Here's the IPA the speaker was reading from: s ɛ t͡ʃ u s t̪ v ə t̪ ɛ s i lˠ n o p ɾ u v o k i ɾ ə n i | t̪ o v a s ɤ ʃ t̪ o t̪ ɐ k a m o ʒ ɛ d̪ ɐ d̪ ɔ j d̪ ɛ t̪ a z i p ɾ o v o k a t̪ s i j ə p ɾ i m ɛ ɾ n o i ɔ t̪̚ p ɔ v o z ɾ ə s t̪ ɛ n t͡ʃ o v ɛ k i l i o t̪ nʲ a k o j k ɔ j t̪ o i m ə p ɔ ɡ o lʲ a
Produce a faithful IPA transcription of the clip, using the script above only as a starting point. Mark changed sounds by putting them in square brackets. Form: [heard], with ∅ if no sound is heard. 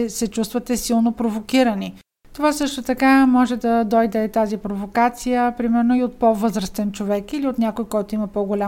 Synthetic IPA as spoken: s ɛ t͡ʃ u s t̪ v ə t̪ ɛ s i lˠ n o p ɾ [o] v o k i ɾ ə n i | t̪ o v a s ɤ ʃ t̪ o t̪ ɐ k a m [ɔ] ʒ ɛ d̪ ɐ d̪ ɔ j d̪ ɛ t̪ a z i p ɾ o v o k a t̪ s i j ə p ɾ i m ɛ ɾ n o i [o] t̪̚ p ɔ v [ɤ] z ɾ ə s t̪ ɛ n t͡ʃ o v ɛ k i l i o t̪ nʲ a k o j k ɔ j t̪ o i m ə p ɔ ɡ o lʲ a